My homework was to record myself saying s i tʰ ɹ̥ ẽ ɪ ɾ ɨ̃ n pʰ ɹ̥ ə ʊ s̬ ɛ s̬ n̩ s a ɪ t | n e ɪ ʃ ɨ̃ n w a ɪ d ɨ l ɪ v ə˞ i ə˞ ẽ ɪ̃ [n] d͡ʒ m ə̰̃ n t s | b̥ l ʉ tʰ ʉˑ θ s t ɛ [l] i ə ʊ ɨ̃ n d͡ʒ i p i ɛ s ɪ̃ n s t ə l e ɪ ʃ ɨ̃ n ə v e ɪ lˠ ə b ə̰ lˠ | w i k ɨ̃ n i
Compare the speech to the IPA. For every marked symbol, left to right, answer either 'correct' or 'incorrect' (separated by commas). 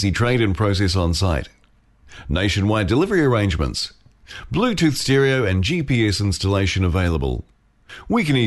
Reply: correct, incorrect